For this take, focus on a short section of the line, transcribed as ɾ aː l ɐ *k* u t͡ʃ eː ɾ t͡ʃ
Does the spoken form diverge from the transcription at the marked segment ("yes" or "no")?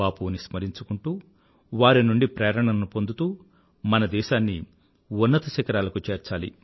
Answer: no